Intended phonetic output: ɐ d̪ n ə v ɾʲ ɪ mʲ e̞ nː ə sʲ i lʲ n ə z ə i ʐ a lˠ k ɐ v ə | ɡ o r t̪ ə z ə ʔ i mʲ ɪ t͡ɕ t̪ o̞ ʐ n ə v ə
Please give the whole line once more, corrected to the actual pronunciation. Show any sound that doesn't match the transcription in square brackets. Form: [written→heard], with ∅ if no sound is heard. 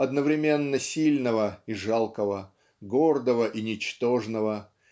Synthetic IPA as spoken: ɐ d̪ n ə v ɾʲ ɪ mʲ e̞ nː ə sʲ i lʲ n ə [z→v] ə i ʐ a lˠ k [ɐ→ə] v ə | ɡ o r [t̪→d̪] ə [z→v] ə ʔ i [mʲ→nʲ] ɪ t͡ɕ t̪ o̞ ʐ n ə v ə